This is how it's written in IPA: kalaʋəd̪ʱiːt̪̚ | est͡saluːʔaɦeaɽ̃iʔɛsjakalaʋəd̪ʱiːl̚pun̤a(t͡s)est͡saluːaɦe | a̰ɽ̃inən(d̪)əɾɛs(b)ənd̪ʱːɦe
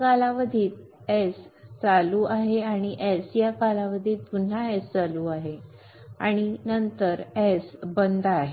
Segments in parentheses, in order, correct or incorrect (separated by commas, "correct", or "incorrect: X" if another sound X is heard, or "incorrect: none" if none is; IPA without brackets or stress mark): incorrect: none, incorrect: t̪, correct